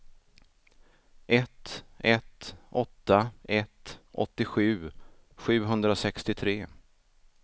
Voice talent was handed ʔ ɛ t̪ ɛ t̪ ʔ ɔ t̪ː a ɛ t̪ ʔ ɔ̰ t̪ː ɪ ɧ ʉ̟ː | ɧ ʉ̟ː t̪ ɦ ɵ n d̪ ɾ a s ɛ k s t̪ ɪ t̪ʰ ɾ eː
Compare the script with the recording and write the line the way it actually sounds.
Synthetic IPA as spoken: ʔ ɛ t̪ ɛ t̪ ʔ ɔ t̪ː a ɛ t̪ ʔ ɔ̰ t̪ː ɪ ɧ ʉ̟ː | ɧ ʉ̟ː ɦ ɵ n d̪ ɾ a s ɛ k s t̪ ɪ t̪ʰ ɾ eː